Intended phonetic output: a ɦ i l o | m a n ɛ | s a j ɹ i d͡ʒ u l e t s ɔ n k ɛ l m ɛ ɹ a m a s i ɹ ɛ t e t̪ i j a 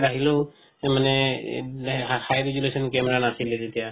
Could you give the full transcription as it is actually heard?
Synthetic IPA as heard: a ɦ i l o | m a n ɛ | h a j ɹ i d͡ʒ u l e s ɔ n k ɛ m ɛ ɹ a n a s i l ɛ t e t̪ i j a